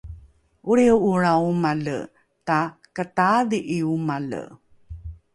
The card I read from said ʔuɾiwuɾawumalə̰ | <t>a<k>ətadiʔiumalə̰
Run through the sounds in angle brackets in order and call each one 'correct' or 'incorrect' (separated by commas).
correct, correct